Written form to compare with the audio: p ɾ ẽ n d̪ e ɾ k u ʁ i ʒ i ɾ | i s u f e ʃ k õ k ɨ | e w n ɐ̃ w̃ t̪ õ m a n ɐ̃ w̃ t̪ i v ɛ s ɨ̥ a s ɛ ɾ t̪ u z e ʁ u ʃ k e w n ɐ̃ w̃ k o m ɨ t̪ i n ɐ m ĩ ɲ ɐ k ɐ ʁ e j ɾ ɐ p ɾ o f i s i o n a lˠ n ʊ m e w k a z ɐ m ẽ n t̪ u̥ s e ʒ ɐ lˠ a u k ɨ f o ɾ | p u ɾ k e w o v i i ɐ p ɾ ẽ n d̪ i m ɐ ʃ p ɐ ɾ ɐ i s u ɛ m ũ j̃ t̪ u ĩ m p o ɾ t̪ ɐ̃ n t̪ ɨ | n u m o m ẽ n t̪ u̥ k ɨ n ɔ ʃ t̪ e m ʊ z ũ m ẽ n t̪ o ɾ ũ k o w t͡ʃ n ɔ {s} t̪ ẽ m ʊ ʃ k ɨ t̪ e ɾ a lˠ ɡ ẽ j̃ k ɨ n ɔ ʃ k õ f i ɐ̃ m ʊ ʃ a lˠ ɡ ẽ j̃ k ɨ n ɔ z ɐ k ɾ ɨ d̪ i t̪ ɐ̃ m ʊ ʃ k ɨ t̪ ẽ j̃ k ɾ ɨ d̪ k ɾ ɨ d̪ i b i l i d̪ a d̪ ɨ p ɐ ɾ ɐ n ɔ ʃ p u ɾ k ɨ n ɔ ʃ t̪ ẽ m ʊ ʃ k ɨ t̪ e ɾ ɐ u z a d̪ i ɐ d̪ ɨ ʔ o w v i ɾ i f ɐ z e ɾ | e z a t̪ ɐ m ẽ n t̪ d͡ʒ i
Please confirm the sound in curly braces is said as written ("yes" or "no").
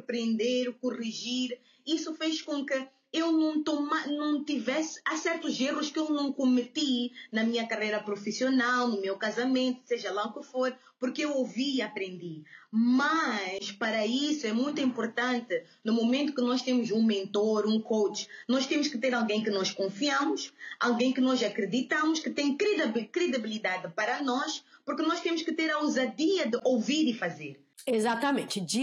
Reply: no